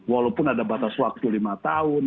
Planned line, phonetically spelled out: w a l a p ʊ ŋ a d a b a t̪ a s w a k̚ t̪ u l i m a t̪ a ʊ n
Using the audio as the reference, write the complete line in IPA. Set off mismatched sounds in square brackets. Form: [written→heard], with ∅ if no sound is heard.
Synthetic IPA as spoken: w a l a p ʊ [ŋ→n] a d a b a t̪ a s w a k̚ t̪ u l i m a t̪ a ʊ n